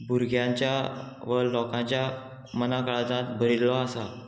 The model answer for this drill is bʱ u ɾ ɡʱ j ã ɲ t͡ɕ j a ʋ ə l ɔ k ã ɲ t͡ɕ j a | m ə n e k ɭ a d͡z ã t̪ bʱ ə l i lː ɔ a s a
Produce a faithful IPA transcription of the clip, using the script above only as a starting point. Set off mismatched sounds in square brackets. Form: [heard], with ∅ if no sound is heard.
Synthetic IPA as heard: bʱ u ɾ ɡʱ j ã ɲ t͡ɕ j a ʋ ə l ɔ k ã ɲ t͡ɕ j a | m ə n [a] k ɭ a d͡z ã t̪ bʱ ə [ɾ] i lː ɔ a s a